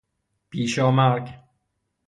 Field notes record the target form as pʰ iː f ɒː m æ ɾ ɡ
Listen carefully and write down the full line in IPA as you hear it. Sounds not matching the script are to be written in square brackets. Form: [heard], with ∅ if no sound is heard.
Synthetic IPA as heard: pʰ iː [ʃ] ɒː m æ ɾ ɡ